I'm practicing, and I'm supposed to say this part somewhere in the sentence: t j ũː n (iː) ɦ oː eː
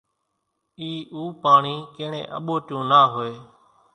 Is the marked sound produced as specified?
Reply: no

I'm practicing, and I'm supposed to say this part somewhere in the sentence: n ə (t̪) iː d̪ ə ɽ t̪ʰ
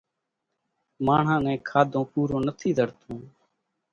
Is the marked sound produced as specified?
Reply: no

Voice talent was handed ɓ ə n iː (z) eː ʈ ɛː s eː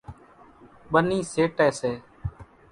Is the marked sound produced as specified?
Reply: no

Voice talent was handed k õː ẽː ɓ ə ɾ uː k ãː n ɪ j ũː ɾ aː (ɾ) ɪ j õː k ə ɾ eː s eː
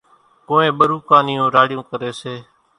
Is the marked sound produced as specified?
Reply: no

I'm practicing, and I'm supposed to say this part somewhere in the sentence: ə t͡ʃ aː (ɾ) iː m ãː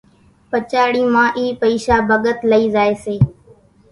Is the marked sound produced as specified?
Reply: no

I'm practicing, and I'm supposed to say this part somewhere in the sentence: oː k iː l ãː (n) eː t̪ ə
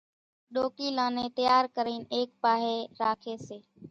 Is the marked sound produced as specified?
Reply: yes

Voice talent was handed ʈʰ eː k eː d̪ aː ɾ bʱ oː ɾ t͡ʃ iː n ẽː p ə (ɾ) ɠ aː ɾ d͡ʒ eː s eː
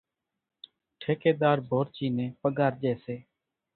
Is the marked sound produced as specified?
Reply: no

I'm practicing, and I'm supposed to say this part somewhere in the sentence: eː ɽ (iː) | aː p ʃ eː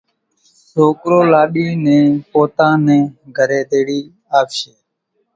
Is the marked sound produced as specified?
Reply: yes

